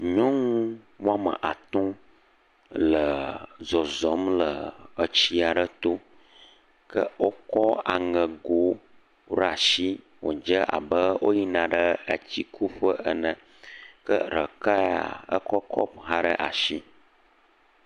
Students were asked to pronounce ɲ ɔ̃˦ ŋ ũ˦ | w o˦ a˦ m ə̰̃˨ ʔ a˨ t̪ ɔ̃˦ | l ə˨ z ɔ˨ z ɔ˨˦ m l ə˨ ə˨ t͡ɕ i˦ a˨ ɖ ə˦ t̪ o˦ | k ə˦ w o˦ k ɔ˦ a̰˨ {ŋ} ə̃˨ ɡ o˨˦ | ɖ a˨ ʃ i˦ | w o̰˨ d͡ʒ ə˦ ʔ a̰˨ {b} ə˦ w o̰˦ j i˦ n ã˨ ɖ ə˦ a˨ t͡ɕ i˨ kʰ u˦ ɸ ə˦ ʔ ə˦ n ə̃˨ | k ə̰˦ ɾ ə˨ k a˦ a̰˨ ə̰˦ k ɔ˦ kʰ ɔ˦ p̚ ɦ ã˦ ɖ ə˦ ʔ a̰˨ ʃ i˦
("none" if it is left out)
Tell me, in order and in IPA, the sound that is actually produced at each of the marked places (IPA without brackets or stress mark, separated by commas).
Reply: ŋ, b